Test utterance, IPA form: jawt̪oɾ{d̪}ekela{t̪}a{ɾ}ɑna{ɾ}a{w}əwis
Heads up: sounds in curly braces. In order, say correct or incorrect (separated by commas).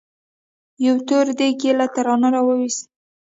correct, correct, correct, correct, correct